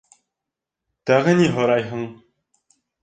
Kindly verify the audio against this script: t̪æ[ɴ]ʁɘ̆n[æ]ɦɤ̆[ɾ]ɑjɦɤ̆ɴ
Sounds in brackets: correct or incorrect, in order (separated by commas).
incorrect, incorrect, correct